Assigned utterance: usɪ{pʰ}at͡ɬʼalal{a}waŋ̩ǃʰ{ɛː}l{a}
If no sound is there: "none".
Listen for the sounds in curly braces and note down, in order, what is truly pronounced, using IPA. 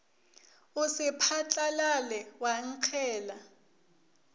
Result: pʰ, ɛ, ɛː, a

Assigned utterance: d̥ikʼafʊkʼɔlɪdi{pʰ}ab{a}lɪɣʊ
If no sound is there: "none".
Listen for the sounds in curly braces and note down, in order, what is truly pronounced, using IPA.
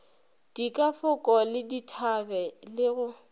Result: tʰ, ɛ

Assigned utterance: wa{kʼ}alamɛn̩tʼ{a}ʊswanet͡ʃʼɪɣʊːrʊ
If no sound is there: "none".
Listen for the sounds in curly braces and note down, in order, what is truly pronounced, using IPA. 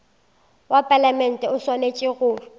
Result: pʼ, ɛ

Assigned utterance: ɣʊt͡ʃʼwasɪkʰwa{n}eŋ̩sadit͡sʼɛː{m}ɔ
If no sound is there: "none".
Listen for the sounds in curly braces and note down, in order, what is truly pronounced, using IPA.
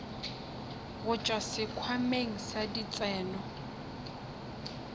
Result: m, n

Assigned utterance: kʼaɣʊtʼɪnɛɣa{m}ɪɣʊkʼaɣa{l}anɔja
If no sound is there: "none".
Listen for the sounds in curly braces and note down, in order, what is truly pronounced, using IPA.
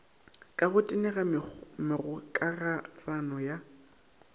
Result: m, r

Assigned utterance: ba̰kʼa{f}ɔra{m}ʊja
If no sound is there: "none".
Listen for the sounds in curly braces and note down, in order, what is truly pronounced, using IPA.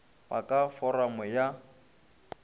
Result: f, m

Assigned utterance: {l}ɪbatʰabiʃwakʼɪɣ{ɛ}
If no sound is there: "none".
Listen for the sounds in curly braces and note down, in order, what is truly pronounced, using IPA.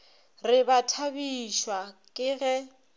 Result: r, ɛ

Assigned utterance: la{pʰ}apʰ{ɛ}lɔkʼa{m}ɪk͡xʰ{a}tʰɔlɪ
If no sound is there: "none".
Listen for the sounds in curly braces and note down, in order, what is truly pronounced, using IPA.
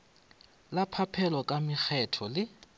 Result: pʰ, ɛ, m, ɛ

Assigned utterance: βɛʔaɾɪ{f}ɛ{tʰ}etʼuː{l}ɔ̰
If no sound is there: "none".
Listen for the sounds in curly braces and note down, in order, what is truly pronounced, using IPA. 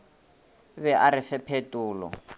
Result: f, pʰ, l

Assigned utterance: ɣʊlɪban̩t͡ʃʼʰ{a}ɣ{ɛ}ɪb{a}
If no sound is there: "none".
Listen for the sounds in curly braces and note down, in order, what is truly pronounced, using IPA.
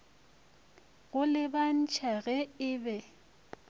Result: a, ɛ, ɛ

